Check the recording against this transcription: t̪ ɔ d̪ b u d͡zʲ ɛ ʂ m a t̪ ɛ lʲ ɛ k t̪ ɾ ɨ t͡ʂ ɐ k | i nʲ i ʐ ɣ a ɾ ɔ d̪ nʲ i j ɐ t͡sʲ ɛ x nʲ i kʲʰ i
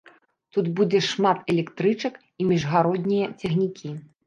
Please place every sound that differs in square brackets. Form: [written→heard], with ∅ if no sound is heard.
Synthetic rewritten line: t̪ [ɔ→u] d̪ b u d͡zʲ ɛ ʂ m a t̪ ɛ lʲ ɛ k t̪ ɾ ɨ t͡ʂ ɐ k | i [nʲ→mʲ] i ʐ ɣ a ɾ ɔ d̪ nʲ i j ɐ t͡sʲ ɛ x nʲ i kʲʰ i